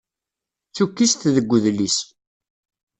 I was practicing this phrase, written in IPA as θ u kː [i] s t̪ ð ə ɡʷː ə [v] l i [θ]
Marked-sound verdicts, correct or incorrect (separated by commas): correct, incorrect, incorrect